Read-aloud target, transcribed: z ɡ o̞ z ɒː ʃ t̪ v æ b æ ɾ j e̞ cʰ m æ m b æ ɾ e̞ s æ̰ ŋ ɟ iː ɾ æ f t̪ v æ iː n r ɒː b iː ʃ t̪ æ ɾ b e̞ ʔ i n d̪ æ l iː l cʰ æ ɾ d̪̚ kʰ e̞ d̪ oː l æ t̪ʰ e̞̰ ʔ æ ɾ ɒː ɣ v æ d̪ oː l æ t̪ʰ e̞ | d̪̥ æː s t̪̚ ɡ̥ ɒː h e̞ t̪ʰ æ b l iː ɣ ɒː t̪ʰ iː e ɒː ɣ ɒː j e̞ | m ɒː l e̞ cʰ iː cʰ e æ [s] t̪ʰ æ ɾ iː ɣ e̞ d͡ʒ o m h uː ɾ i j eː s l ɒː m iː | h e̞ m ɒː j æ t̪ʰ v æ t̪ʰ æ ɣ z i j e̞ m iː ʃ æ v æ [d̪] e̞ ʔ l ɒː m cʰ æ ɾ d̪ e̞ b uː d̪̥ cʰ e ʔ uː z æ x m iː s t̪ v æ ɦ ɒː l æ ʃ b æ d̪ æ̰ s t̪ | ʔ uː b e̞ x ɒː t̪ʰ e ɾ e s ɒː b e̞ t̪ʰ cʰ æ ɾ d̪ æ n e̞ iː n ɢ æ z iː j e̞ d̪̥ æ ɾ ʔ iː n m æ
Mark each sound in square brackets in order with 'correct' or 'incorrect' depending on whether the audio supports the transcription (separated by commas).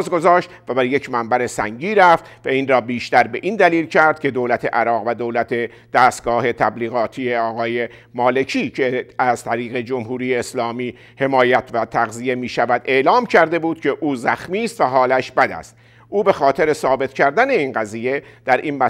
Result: incorrect, correct